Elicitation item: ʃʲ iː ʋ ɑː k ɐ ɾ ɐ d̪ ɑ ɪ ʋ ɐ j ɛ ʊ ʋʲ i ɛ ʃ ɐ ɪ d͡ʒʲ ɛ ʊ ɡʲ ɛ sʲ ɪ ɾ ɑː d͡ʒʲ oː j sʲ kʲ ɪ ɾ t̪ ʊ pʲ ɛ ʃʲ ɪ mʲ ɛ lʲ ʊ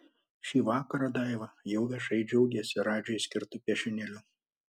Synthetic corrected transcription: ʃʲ iː ʋ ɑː k ɐ ɾ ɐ d̪ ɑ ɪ ʋ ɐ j ɛ ʊ ʋʲ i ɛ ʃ ɐ ɪ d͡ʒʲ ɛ ʊ ɡʲ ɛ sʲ ɪ ɾ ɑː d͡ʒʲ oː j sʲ kʲ ɪ ɾ t̪ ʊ pʲ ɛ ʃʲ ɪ nʲ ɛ lʲ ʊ